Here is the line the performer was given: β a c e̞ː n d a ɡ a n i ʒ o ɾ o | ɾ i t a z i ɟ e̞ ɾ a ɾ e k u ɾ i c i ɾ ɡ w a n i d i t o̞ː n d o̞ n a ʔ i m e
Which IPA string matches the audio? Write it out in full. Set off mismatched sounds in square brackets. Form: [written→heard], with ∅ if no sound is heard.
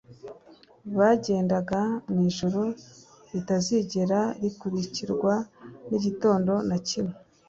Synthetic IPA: β a [c→ɟ] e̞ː n d a ɡ a n i ʒ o ɾ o | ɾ i t a z i ɟ e̞ ɾ a ɾ [e→i] k u ɾ i c i ɾ ɡ w a n i [d→ɟ] i t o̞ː n d o̞ n a [ʔ→c] i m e

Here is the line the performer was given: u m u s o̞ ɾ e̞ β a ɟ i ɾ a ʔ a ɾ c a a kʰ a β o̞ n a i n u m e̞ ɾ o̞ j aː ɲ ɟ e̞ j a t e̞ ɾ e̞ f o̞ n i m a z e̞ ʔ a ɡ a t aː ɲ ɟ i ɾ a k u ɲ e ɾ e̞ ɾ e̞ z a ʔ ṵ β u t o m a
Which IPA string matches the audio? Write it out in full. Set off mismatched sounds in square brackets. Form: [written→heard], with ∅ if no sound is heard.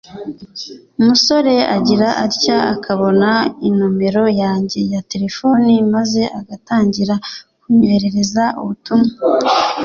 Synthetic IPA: u m u s o̞ ɾ e̞ [β→∅] a ɟ i ɾ a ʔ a ɾ c a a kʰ a β o̞ n a i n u m e̞ ɾ o̞ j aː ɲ ɟ e̞ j a t e̞ ɾ e̞ f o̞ n i m a z e̞ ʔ a ɡ a t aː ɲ ɟ i ɾ a k u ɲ e ɾ e̞ ɾ e̞ z a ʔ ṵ β u t [o→u] m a

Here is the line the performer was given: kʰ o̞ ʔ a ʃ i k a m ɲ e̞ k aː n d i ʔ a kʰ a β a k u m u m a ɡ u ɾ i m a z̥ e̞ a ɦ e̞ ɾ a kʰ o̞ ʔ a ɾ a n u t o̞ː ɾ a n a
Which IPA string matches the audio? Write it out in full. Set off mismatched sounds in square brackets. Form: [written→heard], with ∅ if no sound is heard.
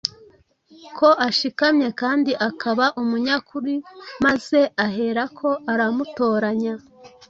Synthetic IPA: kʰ o̞ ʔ a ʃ i k a m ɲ e̞ k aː n d i ʔ a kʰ a β a [k→ʔ] u m u [m→ɲ] a [ɡ→k] u ɾ i m a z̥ e̞ a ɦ e̞ ɾ a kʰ o̞ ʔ a ɾ a [n→m] u t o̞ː ɾ a [n→ɲ] a

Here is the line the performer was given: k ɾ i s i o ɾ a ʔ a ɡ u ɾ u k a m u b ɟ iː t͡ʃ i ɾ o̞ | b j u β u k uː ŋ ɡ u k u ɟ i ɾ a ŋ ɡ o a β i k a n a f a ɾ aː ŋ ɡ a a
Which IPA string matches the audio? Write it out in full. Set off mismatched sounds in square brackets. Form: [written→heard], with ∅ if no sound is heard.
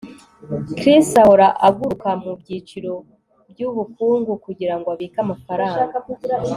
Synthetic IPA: k ɾ i s [i→a] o ɾ a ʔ a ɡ u ɾ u k a m u b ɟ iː t͡ʃ i ɾ o̞ | b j u β u k uː ŋ ɡ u k u ɟ i ɾ a ŋ ɡ o a β i k a [n→m] a f a ɾ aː ŋ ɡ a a

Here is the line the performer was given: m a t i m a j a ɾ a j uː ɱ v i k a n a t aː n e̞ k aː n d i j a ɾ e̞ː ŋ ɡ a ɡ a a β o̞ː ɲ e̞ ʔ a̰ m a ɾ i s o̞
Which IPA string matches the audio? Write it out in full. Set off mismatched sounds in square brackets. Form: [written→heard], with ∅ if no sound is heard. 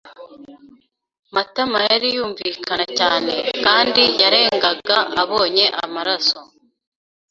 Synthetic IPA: m a t [i→a] m a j a ɾ [a→i] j uː ɱ v i k a n a [t→c] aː n e̞ k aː n d i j a ɾ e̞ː ŋ ɡ a ɡ a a β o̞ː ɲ e̞ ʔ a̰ m a ɾ [i→a] s o̞

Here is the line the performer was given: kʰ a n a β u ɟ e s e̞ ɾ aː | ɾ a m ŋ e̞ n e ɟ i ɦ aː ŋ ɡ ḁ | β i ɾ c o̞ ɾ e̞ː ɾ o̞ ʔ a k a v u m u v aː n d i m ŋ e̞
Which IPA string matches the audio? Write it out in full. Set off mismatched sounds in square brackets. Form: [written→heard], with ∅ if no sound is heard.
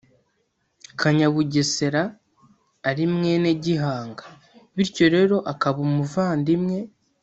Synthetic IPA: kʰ a [n→ɲ] a β u ɟ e s e̞ ɾ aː | ɾ [a→i] m ŋ e̞ n e ɟ i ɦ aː ŋ ɡ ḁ | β i ɾ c o̞ ɾ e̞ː ɾ o̞ ʔ a k a [v→β] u m u v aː n d i m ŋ e̞

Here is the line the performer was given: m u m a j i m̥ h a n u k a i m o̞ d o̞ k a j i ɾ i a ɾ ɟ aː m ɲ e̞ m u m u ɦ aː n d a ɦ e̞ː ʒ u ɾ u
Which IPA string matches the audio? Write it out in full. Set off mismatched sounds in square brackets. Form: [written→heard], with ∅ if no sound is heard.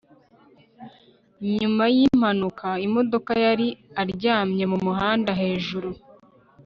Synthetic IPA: [m→ɲ] u m a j i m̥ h a n u k a i m o̞ d o̞ k a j [i→a] ɾ i a ɾ ɟ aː m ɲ e̞ m u m u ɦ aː n d a ɦ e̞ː ʒ u ɾ u

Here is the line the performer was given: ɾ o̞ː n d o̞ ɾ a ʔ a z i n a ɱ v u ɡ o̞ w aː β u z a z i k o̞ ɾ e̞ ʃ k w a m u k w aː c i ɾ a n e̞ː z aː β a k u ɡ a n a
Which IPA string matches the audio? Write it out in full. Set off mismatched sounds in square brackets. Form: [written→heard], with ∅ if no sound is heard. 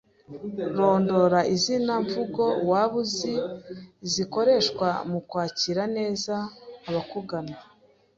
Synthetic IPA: ɾ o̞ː n d o̞ ɾ a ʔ [a→i] z i n a ɱ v u ɡ o̞ w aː β u z [a→i] z i k o̞ ɾ e̞ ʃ k w a m u k w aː c i ɾ a n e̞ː z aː β a k u ɡ a n a

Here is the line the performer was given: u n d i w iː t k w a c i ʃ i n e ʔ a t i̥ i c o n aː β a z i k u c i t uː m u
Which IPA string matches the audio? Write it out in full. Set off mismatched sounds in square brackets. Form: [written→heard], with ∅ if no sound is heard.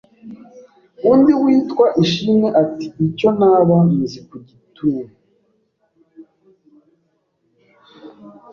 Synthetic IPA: u n d i w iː t k w a [c→ʔ] i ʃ i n e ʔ a t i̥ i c o n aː β a z i k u [c→ɟ] i t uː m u

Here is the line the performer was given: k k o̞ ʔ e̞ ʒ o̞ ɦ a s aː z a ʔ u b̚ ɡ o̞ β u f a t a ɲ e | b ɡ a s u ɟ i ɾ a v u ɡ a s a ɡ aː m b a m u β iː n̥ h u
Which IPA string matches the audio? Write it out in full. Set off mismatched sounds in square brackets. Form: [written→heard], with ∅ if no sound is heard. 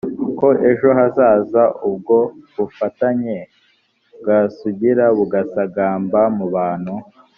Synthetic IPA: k k o̞ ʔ e̞ ʒ o̞ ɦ a [s→z] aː z a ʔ u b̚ ɡ o̞ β u f a t a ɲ e | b ɡ a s u ɟ i ɾ a [v→β] u ɡ a s a ɡ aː m b a m u β [iː→aː] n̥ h u

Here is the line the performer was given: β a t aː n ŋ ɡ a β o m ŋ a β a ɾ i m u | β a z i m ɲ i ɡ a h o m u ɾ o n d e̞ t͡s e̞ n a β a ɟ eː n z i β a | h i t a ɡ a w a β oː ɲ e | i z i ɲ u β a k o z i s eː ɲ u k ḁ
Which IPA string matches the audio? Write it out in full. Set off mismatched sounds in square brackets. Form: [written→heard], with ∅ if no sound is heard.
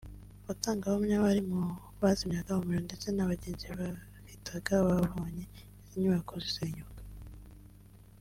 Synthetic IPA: β a t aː [n→∅] ŋ ɡ a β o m [ŋ→ɲ] a β a ɾ i m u | β a z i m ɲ [i→a] ɡ a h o m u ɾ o n d e̞ t͡s e̞ n a β a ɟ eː n z i β a | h i t a ɡ a [w→β] a β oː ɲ e | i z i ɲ u β a k o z i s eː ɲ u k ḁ

